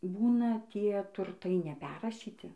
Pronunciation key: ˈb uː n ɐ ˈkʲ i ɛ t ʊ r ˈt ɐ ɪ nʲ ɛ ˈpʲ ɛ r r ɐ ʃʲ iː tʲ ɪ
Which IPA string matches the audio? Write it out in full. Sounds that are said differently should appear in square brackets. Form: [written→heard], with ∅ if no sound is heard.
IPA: ˈb uː n ɐ [ˈkʲ→ˈtʲ] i ɛ t ʊ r ˈt ɐ ɪ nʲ ɛ ˈpʲ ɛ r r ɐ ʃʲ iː tʲ ɪ